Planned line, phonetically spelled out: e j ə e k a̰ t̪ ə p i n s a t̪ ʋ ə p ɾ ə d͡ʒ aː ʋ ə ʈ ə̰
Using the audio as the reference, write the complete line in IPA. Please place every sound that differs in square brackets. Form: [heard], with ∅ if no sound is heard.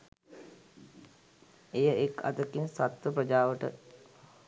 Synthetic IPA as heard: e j ə e k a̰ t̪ ə [k] i n s a t̪ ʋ ə p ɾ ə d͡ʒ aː ʋ ə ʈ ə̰